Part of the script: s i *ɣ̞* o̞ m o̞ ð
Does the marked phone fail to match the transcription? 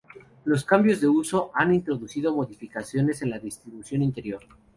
yes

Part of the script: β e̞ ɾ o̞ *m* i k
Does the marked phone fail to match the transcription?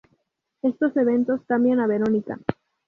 yes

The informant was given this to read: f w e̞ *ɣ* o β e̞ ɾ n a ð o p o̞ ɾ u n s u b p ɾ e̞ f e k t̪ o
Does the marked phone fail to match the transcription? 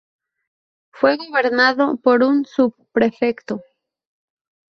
no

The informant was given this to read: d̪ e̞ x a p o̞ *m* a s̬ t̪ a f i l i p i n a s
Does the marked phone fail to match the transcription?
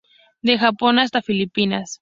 yes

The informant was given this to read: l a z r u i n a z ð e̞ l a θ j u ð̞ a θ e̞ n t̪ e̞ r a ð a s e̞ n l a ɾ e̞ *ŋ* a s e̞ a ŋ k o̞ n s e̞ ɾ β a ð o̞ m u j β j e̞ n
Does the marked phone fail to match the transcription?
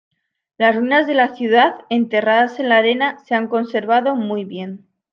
yes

